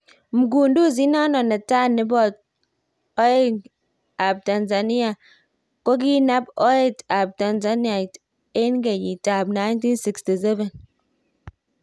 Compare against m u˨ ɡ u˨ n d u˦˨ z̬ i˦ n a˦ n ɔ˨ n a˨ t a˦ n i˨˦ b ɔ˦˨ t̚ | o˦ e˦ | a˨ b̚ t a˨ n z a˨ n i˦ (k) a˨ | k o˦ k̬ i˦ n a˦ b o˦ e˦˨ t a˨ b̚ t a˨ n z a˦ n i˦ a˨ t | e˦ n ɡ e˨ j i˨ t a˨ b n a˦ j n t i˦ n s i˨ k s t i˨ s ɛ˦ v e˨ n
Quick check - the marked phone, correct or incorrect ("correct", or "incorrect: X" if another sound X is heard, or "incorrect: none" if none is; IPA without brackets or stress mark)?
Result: incorrect: none